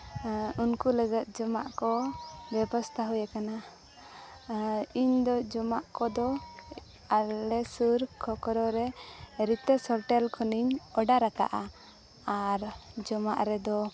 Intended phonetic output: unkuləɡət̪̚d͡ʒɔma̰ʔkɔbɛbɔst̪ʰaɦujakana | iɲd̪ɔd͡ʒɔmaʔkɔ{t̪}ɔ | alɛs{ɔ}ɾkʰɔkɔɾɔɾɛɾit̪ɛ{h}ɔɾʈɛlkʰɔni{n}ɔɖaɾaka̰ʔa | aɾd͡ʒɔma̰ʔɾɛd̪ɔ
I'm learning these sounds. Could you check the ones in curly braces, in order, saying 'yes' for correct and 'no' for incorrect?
no, no, no, no

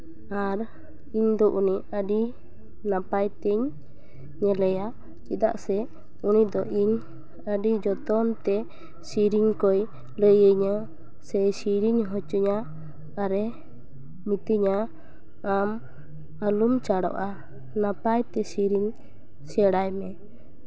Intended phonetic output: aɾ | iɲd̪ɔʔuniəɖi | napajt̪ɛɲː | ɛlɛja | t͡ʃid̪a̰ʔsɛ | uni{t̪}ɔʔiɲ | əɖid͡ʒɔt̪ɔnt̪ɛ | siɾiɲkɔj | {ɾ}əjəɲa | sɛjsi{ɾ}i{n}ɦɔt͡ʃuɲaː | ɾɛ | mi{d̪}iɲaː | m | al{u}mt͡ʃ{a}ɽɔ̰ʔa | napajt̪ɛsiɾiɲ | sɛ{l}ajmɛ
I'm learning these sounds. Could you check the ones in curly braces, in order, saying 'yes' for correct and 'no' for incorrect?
no, no, yes, no, no, yes, yes, no

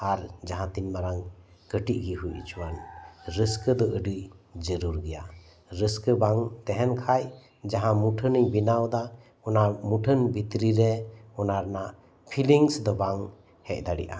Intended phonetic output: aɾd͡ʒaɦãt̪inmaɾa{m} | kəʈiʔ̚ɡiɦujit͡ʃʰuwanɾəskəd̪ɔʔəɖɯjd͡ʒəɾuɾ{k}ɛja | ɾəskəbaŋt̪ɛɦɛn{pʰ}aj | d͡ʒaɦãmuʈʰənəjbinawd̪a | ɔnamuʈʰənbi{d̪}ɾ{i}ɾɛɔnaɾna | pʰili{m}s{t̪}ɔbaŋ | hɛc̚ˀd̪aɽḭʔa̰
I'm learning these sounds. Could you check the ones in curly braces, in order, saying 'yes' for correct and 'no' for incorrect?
no, no, no, no, yes, no, no

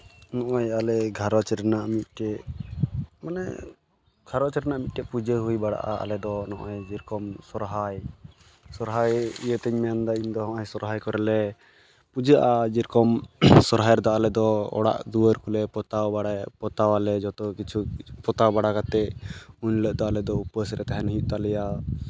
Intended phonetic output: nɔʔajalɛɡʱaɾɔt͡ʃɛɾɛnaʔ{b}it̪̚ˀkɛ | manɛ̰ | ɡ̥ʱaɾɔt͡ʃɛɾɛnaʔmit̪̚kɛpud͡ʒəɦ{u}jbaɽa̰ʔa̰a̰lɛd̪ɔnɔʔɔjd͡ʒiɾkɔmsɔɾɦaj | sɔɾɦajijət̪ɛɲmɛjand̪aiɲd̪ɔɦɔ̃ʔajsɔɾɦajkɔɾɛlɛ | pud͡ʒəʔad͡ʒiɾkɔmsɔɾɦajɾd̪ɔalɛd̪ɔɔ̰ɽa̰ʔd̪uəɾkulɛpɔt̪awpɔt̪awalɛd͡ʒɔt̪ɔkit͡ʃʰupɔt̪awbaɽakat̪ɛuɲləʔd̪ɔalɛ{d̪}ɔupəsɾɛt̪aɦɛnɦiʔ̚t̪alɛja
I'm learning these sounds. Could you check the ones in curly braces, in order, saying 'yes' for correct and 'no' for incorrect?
no, yes, yes

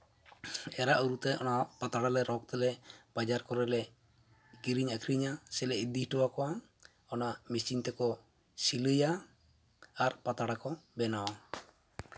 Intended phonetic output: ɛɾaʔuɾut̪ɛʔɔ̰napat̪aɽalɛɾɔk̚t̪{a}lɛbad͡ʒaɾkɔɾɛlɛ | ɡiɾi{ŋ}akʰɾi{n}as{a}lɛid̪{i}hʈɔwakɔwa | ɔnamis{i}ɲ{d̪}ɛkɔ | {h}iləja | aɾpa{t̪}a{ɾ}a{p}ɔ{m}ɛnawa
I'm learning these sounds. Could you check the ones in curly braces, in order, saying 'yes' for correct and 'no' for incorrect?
no, no, no, no, yes, yes, no, no, yes, no, no, no

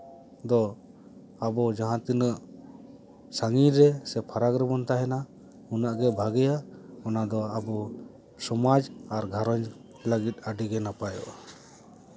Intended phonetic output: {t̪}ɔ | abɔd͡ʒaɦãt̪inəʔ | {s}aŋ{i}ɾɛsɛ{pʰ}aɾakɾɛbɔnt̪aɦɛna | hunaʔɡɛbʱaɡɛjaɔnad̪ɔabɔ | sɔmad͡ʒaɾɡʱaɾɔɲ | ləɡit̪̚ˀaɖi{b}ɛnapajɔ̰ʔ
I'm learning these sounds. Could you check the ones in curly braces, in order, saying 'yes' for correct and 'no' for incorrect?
no, yes, yes, yes, no

